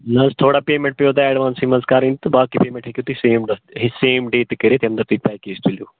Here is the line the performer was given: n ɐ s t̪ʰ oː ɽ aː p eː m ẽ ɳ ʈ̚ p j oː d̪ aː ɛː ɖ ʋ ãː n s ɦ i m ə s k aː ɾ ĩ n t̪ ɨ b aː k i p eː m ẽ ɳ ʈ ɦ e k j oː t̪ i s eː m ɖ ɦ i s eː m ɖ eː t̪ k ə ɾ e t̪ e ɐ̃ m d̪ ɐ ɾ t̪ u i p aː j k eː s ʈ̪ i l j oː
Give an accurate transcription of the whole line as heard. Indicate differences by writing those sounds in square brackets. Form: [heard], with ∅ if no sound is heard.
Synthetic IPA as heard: n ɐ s t̪ʰ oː ɽ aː p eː m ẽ ɳ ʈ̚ p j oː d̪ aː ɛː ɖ ʋ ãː n s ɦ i m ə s k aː ɾ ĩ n t̪ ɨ b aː k i p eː m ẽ ɳ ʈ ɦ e k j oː t̪ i s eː m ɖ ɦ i s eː m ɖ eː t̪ k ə ɾ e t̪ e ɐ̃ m d̪ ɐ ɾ t̪ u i p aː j k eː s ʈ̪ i l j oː